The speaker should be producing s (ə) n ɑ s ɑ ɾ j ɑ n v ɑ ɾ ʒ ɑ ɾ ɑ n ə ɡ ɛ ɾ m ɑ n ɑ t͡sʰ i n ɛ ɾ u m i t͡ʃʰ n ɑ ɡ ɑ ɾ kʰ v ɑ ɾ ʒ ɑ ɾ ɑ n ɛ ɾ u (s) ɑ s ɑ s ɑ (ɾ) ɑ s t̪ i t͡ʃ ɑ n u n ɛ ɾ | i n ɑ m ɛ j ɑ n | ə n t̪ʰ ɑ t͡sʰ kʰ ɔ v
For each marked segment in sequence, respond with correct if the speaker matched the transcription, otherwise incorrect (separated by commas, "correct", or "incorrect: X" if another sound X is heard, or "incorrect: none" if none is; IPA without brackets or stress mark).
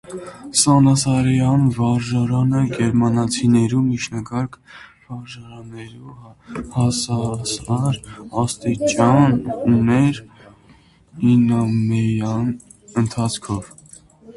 incorrect: ɑ, incorrect: h, correct